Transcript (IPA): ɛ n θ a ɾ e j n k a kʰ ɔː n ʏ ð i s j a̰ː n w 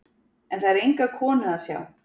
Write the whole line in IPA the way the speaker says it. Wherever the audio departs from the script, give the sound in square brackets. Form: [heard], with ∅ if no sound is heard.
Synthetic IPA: ɛ n θ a ɾ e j [ŋ] k a kʰ ɔː n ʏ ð [a] s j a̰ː [∅] w

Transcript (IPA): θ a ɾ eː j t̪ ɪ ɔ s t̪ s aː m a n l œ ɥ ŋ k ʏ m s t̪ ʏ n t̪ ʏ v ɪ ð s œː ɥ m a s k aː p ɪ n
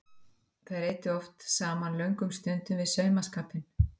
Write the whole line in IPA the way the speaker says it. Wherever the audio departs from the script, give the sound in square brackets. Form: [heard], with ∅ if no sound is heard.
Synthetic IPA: θ a ɾ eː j t̪ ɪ ɔ [f] t̪ s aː m a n l œ ɥ ŋ k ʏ m s t̪ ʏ n t̪ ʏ v ɪ ð s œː ɥ m a s k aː p ɪ n

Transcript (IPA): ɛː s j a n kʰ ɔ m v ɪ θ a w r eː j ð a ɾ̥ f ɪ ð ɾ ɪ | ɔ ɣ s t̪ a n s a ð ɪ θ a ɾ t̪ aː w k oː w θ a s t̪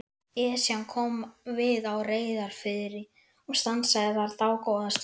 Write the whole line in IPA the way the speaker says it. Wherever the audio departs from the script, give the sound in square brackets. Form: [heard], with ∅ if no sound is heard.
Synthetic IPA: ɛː s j a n kʰ ɔ m v ɪ [ð] a w r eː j ð a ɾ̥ f ɪ ð ɾ ɪ | ɔ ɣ s t̪ a n s a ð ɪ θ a ɾ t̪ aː w k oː w [ð] a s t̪

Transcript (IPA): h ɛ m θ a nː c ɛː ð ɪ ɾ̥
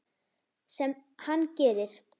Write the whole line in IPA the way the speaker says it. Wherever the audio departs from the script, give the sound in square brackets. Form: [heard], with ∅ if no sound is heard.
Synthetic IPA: [s] ɛ m [h] a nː c ɛː ð ɪ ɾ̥

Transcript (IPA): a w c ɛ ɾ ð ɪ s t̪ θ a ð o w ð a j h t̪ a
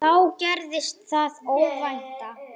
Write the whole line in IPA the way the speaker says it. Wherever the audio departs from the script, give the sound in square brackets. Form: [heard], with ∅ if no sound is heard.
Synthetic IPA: a w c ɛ ɾ ð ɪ s t̪ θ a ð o w [v] a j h t̪ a

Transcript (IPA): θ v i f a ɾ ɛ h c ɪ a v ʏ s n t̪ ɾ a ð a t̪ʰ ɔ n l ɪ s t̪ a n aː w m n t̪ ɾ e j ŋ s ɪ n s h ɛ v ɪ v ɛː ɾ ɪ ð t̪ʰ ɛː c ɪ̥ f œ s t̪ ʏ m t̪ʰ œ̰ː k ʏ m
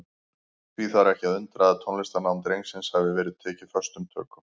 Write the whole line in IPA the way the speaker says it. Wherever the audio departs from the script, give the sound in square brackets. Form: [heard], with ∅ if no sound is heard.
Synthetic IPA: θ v i [θ] a ɾ ɛ h c ɪ a [ð] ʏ [∅] n t̪ ɾ a ð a t̪ʰ ɔ n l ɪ s t̪ a n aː w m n t̪ ɾ e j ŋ s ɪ n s h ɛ v ɪ v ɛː ɾ ɪ ð t̪ʰ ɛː c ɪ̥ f œ s t̪ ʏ m t̪ʰ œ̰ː k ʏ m

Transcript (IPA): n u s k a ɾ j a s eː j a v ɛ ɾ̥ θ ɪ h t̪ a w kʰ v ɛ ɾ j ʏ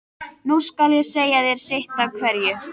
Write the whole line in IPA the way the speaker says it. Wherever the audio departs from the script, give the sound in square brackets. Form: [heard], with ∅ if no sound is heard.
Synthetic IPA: n u s k a [l] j [ɛ] s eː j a [ð] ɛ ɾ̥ [s] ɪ h t̪ a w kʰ v ɛ ɾ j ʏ

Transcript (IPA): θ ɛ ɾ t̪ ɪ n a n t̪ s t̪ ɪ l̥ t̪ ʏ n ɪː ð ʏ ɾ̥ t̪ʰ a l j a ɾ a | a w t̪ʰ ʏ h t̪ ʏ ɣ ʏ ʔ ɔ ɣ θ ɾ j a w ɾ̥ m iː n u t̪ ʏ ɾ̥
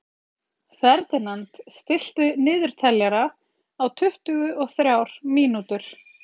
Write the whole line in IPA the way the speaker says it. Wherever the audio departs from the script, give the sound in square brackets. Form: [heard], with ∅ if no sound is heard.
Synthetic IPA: θ ɛ ɾ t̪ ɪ n a n t̪ s t̪ ɪ l̥ t̪ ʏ n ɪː ð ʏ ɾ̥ t̪ʰ [ɛ] l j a ɾ a | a w t̪ʰ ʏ h t̪ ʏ ɣ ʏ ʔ ɔ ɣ θ ɾ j a w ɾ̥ m iː n u t̪ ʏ ɾ̥

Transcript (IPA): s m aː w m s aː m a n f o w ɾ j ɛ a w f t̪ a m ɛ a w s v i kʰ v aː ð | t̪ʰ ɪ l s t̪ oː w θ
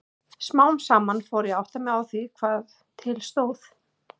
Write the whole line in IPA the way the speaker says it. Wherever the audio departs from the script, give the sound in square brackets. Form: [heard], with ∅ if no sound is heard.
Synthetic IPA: s m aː w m s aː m a n f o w ɾ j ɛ a w [h] t̪ a m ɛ a w [θ] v i kʰ v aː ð | t̪ʰ ɪ l s t̪ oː w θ

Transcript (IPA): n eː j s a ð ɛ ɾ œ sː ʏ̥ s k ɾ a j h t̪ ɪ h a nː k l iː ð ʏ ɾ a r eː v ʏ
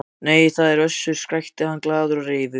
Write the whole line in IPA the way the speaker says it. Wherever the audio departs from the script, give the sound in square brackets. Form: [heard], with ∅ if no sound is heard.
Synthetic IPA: n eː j [θ] a ð ɛ ɾ œ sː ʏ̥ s k ɾ a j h t̪ ɪ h a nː k l [aː] ð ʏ ɾ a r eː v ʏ

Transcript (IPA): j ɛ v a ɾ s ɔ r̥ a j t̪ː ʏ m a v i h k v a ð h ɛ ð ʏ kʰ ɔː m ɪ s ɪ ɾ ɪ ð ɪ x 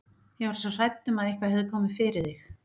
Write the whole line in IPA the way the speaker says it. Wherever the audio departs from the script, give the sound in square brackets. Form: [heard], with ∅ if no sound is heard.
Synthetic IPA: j ɛ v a ɾ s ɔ r̥ a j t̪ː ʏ m a [ð] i h k v a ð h ɛ ð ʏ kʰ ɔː m ɪ [f] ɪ ɾ ɪ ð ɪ x

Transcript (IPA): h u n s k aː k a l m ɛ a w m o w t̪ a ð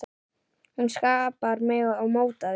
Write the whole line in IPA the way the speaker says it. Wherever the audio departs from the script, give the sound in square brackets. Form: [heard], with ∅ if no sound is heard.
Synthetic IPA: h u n s k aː [p] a [ɾ] m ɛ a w m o w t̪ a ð

